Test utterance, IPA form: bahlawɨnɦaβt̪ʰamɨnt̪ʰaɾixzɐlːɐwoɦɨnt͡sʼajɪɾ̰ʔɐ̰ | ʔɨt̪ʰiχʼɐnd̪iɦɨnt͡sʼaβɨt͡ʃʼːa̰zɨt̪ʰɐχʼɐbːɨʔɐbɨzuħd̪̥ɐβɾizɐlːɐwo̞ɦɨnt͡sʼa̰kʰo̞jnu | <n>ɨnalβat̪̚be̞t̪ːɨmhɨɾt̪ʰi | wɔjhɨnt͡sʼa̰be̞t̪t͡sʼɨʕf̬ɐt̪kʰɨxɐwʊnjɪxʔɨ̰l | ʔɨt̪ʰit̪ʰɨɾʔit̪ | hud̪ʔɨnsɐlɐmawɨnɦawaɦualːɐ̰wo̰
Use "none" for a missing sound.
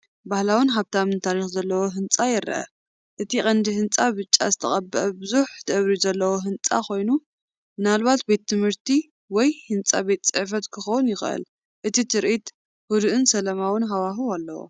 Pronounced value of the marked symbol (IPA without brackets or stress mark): m